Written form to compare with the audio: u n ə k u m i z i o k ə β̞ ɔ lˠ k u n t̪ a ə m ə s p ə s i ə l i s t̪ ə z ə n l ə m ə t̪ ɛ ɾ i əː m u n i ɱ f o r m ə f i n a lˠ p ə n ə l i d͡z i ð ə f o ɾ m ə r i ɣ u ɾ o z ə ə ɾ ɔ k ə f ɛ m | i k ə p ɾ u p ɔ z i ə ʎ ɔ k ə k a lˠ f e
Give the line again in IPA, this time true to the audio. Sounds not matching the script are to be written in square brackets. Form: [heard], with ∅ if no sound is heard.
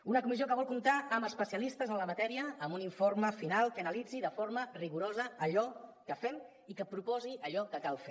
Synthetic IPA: u n ə k u m i z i o k ə β̞ ɔ lˠ k u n t̪ a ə m ə s p ə s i ə l i s t̪ ə z ə n l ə m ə t̪ ɛ ɾ i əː m u n i ɱ f o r m ə f i n a lˠ [k] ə n ə l i d͡z i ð ə f o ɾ m ə r i ɣ u ɾ o z ə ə [ʎ] ɔ k ə f ɛ m | i k ə p ɾ u p ɔ z i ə ʎ ɔ k ə k a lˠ f e